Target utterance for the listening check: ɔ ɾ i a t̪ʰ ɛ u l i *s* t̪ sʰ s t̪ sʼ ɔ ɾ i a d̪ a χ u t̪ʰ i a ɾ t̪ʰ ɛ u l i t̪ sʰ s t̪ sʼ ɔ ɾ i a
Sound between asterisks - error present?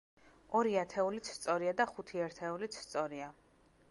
yes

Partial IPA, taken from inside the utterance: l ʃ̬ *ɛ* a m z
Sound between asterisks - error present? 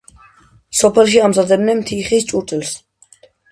yes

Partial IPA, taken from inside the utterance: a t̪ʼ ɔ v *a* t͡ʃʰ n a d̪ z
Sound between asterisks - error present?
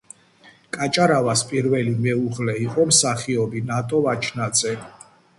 no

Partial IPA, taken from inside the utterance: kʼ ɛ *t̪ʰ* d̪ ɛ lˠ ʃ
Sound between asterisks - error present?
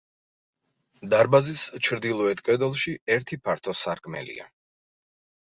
yes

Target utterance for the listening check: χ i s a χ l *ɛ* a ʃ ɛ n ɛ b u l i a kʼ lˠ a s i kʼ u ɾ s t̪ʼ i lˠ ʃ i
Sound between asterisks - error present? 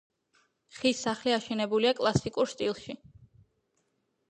yes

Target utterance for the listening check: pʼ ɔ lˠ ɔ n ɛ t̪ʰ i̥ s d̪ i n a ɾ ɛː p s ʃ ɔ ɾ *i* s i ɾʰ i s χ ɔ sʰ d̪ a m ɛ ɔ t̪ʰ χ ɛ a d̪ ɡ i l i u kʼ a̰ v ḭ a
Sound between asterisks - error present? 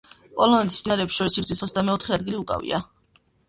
no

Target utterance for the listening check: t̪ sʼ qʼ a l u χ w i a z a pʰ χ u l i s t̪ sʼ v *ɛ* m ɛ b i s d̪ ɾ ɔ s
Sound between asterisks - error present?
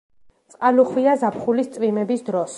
yes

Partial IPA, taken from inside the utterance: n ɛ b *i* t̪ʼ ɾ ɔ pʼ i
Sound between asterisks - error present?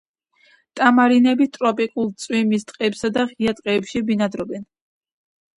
no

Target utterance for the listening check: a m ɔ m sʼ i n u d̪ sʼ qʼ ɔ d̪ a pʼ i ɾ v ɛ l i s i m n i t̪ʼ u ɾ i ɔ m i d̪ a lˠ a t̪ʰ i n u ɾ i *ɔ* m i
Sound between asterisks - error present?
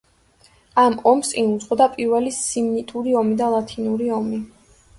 no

